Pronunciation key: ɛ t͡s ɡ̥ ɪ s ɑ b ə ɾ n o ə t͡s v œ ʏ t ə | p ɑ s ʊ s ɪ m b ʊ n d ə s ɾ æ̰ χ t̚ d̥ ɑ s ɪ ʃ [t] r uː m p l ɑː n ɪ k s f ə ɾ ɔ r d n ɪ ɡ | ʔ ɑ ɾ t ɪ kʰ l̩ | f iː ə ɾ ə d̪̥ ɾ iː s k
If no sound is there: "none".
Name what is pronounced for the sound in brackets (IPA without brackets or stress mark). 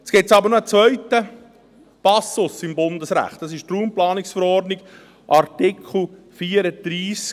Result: t